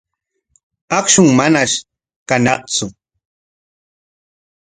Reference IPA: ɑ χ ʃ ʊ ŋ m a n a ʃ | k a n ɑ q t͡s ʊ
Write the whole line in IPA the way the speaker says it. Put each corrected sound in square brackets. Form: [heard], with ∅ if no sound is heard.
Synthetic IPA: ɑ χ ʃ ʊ ŋ m a n a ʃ | k a n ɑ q t͡s ʊ